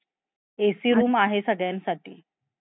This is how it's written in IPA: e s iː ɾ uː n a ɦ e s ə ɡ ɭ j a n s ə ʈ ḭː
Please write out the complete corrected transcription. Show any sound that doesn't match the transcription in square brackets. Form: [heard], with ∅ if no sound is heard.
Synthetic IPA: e s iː ɾ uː [m] a ɦ e s ə ɡ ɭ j a n s [a] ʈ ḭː